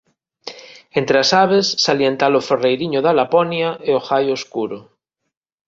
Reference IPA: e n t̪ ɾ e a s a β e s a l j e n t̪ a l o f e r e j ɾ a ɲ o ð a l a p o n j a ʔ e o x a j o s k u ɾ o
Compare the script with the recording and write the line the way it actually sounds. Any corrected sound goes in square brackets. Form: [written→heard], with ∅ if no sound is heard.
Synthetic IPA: e n t̪ ɾ e a s a β e [s→sː] a l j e n t̪ a l o f e r e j ɾ [a→i] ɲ o ð a l a p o n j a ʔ e o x a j o s k u ɾ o

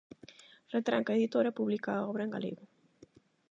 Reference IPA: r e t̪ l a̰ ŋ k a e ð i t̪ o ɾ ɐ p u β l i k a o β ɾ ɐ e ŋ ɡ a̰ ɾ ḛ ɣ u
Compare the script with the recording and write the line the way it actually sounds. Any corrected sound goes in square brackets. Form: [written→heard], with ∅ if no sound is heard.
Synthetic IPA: r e t̪ [l→ɾ] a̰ ŋ k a e ð i t̪ o ɾ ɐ p u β l i k a [o→ɔ] β ɾ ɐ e ŋ ɡ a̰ [ɾ→l] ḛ ɣ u

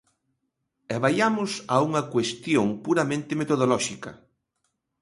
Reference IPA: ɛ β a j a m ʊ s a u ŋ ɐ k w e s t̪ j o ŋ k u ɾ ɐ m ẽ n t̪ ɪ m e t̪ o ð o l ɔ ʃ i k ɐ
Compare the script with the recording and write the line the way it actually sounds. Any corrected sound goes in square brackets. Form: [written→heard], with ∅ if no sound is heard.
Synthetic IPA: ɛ β a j a m ʊ s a u ŋ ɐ k w e s t̪ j o ŋ [k→p] u ɾ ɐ m ẽ n t̪ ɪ m e t̪ o ð o l ɔ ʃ i k ɐ

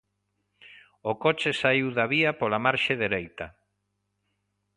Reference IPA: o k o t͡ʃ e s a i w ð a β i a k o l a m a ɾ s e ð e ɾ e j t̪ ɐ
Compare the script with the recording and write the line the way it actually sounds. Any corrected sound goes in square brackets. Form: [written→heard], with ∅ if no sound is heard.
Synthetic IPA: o k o t͡ʃ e s a i w ð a β i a [k→p] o l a m a ɾ [s→ʃ] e ð e ɾ e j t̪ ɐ

